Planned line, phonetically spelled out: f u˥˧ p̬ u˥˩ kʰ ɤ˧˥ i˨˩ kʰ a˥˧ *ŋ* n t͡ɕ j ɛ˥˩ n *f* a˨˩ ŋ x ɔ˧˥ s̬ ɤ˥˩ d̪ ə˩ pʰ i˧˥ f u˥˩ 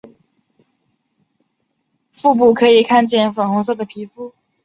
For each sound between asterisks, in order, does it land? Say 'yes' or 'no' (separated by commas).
no, yes